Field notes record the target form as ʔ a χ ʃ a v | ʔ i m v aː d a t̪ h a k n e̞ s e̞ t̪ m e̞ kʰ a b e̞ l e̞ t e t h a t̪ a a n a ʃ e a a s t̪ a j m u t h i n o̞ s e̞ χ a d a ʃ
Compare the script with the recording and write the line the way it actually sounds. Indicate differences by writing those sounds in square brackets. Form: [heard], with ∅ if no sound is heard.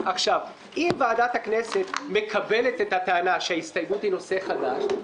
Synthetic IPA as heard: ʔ a χ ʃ a v | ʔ i m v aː d a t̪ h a k n e̞ s e̞ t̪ m e̞ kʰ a b e̞ l e̞ t e t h a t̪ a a n a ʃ e a [i] s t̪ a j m u t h i n o̞ s e̞ χ a d a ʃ